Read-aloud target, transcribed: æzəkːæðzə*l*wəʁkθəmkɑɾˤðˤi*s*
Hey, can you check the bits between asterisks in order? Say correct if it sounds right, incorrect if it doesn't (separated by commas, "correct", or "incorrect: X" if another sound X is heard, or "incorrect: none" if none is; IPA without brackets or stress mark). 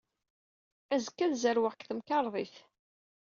incorrect: ɾ, incorrect: θ